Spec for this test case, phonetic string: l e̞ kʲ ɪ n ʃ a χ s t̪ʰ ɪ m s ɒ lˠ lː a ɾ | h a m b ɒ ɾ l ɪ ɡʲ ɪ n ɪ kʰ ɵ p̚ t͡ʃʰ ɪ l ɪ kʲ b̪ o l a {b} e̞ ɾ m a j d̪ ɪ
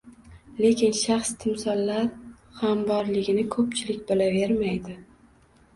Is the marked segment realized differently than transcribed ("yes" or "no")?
yes